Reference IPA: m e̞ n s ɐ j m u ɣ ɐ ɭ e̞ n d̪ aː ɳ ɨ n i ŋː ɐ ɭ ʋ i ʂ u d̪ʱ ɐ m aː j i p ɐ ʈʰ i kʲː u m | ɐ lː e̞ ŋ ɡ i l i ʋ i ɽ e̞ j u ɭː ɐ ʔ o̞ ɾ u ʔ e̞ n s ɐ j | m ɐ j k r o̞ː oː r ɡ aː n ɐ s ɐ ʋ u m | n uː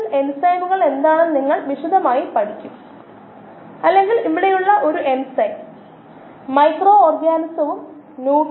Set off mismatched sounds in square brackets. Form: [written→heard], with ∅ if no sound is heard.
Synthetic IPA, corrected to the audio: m e̞ n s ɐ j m u ɣ ɐ ɭ e̞ n d̪ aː ɳ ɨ n i ŋː ɐ ɭ ʋ i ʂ u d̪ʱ ɐ m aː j i p ɐ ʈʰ i kʲː u m | ɐ lː e̞ ŋ ɡ i l i ʋ i ɽ e̞ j u ɭː ɐ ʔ o̞ ɾ u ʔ e̞ n s ɐ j | m ɐ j k r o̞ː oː r ɡ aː n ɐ s ɐ ʋ u m | n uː

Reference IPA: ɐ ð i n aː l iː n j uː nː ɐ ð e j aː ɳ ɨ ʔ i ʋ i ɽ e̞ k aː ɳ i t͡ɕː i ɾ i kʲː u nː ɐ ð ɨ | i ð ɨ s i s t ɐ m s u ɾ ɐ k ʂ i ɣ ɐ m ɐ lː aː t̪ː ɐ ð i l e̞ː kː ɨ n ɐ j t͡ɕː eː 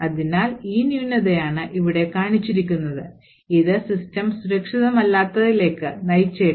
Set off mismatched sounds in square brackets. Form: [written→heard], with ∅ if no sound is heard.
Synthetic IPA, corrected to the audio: ɐ ð i n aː l iː n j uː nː ɐ ð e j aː ɳ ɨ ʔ i ʋ i ɽ e̞ k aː ɳ i t͡ɕː i ɾ i kʲː u nː ɐ ð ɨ | i ð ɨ s i s t ɐ m s u ɾ ɐ k ʂ i [ɣ→ð] ɐ m ɐ lː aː t̪ː ɐ ð i l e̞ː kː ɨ n ɐ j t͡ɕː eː

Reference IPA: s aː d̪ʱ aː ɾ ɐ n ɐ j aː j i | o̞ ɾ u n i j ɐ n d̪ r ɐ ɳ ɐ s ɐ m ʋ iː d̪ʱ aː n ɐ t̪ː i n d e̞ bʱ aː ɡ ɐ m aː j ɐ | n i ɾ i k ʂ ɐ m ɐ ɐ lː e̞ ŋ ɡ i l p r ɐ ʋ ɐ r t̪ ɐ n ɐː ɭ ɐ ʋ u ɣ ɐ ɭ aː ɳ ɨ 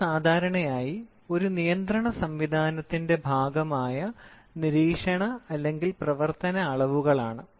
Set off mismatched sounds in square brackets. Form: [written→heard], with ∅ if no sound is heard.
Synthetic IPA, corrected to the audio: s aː d̪ʱ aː ɾ ɐ [n→ɳ] ɐ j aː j i | o̞ ɾ u n i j ɐ n d̪ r ɐ ɳ ɐ s ɐ m ʋ [iː→i] d̪ʱ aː n ɐ t̪ː i n d e̞ bʱ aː ɡ ɐ m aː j ɐ | n i ɾ [i→iː] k ʂ ɐ [m→ɳ] ɐ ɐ lː e̞ ŋ ɡ i l p r ɐ ʋ ɐ r t̪ ɐ n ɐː ɭ ɐ ʋ u ɣ ɐ ɭ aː ɳ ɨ

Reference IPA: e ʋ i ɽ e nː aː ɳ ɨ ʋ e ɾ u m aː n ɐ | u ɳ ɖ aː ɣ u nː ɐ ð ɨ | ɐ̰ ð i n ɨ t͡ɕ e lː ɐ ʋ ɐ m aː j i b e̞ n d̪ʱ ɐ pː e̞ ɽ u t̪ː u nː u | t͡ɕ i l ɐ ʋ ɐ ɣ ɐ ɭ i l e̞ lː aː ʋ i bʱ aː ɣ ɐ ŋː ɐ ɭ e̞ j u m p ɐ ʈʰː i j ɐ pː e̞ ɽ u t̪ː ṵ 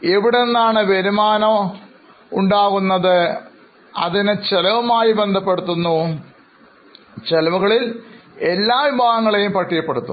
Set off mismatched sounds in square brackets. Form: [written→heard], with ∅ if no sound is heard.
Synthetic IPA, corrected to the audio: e ʋ i ɽ e nː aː ɳ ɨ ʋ e ɾ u m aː n ɐ | u ɳ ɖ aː ɣ u nː ɐ ð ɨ | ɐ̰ ð i n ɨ t͡ɕ e [lː→l] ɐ ʋ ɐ m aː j i b e̞ n d̪ʱ ɐ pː e̞ ɽ u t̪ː u nː u | t͡ɕ [i→e] l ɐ ʋ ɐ ɣ ɐ ɭ i l e̞ lː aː ʋ i bʱ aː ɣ ɐ ŋː ɐ ɭ e̞ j u m p ɐ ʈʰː i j ɐ pː e̞ ɽ u t̪ː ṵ

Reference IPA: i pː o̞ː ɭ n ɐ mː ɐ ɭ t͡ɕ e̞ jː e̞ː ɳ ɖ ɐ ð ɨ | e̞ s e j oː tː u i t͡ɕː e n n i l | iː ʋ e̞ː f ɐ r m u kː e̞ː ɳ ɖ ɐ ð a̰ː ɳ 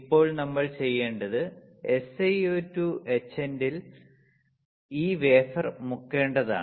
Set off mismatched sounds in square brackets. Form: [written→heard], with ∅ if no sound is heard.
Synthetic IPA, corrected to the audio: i pː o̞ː ɭ n ɐ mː ɐ ɭ t͡ɕ e̞ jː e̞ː ɳ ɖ ɐ ð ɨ | e̞ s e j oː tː u [i→e] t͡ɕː e n [n→d] i l | iː ʋ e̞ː f ɐ r m u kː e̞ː ɳ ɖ ɐ ð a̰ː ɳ

